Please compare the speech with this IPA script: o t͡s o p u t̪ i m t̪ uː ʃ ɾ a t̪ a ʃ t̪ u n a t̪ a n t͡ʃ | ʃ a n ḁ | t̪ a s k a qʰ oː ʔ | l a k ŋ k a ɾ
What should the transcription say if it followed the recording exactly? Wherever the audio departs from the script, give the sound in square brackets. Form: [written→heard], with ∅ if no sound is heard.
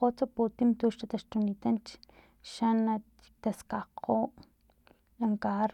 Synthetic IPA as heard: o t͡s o p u t̪ i m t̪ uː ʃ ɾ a t̪ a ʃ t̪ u n [a→i] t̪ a n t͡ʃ | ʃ a n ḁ | t̪ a s k a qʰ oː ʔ | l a [k→∅] ŋ k a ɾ